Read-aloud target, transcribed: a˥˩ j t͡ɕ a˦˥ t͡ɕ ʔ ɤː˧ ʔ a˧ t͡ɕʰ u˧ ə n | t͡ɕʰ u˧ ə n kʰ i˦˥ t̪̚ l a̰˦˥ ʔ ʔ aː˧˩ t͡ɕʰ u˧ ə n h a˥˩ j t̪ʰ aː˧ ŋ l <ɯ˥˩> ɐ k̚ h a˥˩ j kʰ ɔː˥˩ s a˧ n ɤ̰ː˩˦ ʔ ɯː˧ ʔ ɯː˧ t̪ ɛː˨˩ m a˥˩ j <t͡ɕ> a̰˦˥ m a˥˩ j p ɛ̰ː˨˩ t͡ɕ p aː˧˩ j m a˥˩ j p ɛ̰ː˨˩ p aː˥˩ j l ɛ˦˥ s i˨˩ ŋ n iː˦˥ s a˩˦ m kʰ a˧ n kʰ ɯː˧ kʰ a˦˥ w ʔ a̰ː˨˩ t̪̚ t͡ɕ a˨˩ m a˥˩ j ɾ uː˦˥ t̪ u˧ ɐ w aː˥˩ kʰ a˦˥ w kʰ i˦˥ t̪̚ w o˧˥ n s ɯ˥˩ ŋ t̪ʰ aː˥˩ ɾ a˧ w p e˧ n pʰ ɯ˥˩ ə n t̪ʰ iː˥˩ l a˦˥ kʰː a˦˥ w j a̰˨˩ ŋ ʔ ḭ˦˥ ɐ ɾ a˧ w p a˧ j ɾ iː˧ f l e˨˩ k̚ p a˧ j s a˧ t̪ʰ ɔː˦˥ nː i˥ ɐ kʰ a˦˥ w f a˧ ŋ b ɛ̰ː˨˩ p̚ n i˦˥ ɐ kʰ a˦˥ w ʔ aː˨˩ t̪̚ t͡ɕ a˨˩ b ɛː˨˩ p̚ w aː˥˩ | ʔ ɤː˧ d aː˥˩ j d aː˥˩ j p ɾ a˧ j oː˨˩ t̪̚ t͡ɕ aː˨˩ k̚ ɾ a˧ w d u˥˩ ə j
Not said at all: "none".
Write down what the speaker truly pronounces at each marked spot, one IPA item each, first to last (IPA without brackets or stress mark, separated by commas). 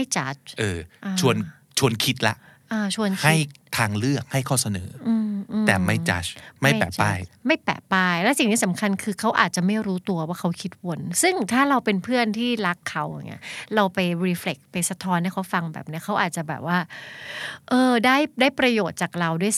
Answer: ɯ˥˩, t͡ɕ